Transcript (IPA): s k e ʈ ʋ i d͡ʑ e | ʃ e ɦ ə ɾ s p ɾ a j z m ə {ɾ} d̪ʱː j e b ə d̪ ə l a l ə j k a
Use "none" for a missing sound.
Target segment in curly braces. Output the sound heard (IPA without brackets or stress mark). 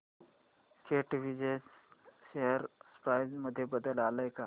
none